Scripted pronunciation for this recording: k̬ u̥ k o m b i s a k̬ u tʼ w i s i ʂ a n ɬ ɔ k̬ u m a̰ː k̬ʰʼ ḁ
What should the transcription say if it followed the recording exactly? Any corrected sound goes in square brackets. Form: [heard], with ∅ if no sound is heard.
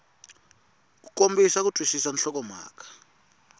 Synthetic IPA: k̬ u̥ k o m b i s a k̬ u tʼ w i s i [s] a n ɬ ɔ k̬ [ɔ] m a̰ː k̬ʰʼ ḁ